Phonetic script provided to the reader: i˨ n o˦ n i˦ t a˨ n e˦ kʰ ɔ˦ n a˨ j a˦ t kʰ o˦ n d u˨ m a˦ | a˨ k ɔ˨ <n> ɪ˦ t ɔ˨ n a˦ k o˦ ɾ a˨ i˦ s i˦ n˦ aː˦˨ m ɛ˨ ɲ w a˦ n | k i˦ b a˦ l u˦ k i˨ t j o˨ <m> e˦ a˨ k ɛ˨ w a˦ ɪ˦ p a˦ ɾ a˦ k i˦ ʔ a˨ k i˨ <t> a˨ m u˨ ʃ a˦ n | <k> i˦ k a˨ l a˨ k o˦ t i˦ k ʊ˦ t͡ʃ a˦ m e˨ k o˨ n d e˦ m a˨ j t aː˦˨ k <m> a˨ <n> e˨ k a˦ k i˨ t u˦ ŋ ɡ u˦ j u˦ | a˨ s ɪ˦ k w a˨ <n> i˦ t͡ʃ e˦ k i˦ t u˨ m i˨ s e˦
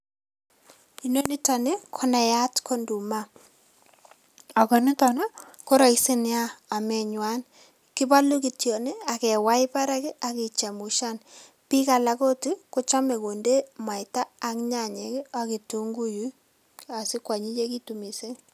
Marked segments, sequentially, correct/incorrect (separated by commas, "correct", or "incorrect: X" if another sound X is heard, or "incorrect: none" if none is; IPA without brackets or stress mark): correct, incorrect: n, incorrect: t͡ʃ, incorrect: p, incorrect: ɲ, incorrect: ɲ, incorrect: ɲ